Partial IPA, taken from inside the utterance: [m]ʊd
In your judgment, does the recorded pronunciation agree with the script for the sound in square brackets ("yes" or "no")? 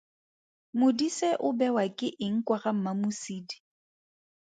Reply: yes